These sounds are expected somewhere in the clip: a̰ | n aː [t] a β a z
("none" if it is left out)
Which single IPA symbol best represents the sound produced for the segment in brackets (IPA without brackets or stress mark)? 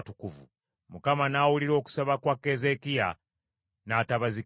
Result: t